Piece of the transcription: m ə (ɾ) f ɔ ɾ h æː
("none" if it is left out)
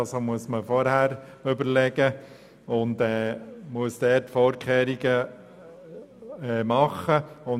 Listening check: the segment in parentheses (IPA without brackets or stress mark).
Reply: none